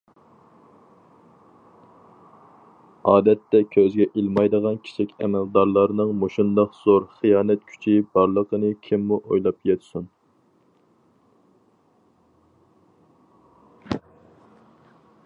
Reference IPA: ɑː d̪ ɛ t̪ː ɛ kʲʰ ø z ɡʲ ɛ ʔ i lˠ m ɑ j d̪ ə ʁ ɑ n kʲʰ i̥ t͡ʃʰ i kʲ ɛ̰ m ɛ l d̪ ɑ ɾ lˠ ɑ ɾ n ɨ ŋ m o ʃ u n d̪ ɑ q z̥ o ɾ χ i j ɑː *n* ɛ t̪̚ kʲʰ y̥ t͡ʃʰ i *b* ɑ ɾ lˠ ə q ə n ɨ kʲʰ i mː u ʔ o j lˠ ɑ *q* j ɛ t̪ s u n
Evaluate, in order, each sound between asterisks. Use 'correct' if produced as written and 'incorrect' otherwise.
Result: correct, correct, incorrect

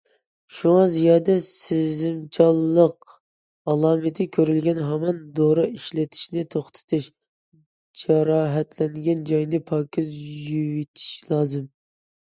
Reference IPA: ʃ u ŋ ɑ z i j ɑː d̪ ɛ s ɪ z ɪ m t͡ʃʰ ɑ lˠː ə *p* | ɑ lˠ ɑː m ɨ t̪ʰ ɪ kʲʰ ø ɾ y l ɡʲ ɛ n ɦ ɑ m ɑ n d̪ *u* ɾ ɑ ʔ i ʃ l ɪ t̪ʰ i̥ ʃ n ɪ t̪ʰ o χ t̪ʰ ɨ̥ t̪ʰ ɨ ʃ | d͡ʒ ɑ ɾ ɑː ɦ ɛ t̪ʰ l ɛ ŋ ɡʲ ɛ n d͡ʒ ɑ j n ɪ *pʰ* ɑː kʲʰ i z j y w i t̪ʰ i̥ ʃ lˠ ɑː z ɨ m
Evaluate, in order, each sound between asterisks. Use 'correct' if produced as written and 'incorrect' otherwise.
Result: incorrect, incorrect, correct

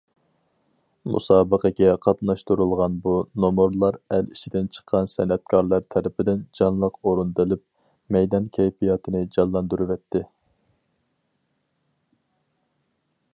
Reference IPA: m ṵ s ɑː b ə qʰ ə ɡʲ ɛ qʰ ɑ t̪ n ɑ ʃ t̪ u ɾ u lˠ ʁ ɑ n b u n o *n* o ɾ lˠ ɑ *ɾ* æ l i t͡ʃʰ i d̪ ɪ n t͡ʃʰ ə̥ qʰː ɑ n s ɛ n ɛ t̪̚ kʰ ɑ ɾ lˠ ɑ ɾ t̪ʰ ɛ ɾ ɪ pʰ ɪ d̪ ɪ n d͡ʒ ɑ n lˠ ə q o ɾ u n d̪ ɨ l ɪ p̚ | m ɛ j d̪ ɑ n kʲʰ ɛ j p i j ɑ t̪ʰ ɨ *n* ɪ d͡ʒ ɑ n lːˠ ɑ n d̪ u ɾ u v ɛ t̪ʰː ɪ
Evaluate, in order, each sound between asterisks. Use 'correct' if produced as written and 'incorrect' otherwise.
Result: incorrect, correct, correct

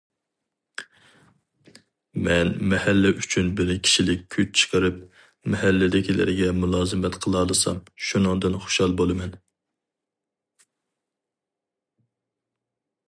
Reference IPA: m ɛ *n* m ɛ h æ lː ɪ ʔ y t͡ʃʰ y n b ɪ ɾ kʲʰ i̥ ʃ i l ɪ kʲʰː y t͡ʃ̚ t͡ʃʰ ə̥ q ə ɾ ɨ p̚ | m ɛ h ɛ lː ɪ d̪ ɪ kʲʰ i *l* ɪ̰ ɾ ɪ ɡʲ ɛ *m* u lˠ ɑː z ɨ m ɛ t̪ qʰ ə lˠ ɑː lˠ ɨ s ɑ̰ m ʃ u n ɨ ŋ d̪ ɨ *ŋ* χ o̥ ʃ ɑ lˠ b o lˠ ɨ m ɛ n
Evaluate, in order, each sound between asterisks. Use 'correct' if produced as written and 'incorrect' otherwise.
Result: correct, correct, correct, incorrect

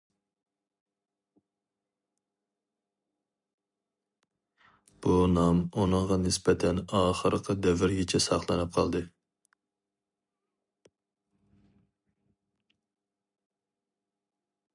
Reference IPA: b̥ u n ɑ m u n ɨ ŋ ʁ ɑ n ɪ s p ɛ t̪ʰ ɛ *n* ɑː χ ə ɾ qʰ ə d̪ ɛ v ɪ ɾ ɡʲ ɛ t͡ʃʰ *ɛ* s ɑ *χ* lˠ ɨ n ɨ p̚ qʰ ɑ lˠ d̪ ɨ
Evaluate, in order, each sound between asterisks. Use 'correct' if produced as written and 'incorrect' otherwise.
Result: correct, correct, correct

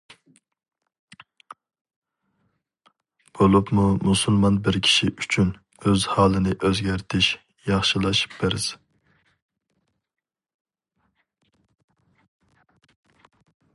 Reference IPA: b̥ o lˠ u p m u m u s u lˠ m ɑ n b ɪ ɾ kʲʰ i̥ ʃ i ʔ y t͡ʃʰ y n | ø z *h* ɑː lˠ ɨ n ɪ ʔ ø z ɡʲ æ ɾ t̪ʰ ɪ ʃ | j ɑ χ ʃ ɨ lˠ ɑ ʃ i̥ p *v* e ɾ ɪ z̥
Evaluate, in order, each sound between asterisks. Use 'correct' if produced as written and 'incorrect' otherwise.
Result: correct, incorrect

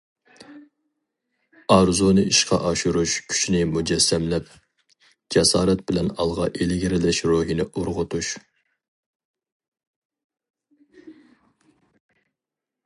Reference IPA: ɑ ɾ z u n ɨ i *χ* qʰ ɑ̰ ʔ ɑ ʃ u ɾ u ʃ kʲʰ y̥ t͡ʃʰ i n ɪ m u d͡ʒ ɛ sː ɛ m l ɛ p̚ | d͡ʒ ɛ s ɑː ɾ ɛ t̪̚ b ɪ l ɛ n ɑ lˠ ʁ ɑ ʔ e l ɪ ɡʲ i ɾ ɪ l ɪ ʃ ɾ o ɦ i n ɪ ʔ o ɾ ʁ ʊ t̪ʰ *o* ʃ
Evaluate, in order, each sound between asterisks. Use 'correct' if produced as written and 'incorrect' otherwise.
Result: incorrect, incorrect

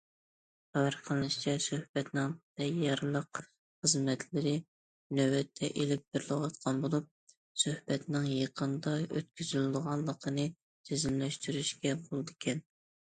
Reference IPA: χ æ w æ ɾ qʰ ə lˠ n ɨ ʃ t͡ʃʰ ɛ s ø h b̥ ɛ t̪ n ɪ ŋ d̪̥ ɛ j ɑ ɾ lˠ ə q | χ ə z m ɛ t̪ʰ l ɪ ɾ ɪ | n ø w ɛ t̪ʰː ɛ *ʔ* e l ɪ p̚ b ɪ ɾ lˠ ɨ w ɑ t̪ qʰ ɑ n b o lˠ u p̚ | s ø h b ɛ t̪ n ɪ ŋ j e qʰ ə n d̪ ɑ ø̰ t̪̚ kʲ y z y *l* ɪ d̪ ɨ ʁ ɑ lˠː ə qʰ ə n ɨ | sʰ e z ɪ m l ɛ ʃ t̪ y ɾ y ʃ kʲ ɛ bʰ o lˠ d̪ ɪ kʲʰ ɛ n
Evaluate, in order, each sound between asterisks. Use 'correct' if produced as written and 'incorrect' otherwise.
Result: correct, correct

